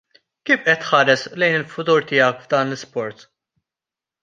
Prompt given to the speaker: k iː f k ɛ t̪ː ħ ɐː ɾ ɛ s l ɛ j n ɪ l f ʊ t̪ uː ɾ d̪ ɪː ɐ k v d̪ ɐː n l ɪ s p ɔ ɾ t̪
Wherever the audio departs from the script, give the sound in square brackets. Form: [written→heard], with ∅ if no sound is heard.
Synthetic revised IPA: k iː f [k→ʔ] ɛ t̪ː ħ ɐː ɾ ɛ s l ɛ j n ɪ l f ʊ t̪ uː ɾ [d̪→t̪] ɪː ɐ k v d̪ ɐː n l ɪ s p ɔ ɾ t̪